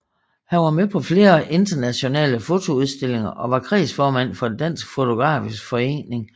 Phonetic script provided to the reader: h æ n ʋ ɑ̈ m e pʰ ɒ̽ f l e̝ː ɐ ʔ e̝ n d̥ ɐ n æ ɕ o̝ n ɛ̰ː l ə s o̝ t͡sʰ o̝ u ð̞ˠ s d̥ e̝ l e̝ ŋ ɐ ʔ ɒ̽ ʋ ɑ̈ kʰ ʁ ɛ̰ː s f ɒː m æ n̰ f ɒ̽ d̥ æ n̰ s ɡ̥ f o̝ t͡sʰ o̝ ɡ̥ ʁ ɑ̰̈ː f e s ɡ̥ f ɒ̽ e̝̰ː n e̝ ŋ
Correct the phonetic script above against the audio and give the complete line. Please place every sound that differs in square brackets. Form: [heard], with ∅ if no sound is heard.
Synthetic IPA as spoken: h æ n ʋ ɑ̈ m e pʰ ɒ̽ f l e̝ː ɐ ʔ e̝ n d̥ ɐ n æ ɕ o̝ n ɛ̰ː l ə [f] o̝ t͡sʰ o̝ u ð̞ˠ s d̥ e̝ l e̝ ŋ ɐ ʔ ɒ̽ ʋ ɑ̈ kʰ ʁ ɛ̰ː s f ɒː m æ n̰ f ɒ̽ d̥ æ n̰ s ɡ̥ f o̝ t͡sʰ o̝ ɡ̥ ʁ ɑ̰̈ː f [i] s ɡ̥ f ɒ̽ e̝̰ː n e̝ ŋ